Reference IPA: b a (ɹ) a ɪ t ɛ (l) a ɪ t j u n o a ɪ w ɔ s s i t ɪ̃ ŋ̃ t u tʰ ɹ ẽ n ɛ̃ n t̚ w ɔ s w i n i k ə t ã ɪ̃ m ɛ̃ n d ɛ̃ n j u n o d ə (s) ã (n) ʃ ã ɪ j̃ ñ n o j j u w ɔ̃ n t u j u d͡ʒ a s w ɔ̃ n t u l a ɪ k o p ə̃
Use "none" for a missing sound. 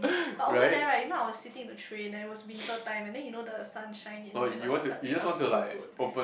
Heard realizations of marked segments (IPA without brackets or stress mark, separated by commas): ɹ, ɹ, s, n